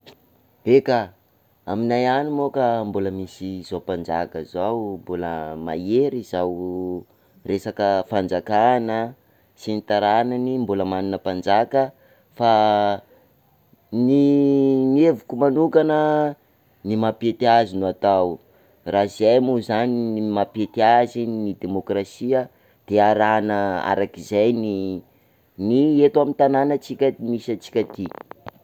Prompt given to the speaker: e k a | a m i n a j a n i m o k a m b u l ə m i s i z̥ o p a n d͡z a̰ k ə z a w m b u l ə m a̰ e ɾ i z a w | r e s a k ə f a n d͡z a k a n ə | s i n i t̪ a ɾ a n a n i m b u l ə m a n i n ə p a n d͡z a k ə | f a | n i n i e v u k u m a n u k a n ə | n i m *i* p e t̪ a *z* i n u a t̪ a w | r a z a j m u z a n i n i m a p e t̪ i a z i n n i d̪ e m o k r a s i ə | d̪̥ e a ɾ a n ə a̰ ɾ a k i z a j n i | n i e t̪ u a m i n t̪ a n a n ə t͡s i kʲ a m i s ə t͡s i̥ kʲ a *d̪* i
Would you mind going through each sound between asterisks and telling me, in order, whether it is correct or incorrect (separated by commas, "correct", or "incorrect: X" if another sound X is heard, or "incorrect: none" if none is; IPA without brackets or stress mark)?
incorrect: a, correct, incorrect: t̪